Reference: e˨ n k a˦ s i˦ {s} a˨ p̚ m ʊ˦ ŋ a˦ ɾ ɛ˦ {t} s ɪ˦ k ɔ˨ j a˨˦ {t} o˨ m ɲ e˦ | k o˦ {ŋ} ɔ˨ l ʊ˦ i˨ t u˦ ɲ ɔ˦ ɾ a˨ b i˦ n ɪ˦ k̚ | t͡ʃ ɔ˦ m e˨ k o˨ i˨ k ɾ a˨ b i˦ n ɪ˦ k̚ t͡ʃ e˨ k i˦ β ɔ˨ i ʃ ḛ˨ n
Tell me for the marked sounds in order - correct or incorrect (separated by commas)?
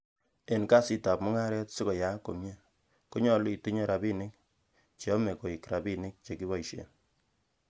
incorrect, correct, incorrect, incorrect